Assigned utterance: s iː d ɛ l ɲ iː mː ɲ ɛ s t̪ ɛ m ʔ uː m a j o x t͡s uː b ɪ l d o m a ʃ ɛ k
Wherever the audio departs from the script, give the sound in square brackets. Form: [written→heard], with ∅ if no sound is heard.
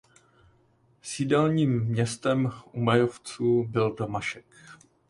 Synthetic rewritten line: s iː d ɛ l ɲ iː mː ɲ ɛ s t̪ ɛ m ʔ [uː→u] m a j o [x→f] t͡s uː b ɪ l d o m a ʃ ɛ k